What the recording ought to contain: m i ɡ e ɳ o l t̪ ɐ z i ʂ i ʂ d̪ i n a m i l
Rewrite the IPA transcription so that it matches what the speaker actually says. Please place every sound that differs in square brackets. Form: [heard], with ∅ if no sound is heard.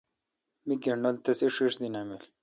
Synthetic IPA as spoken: m i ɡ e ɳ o l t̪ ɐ [s] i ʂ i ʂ d̪ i n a m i l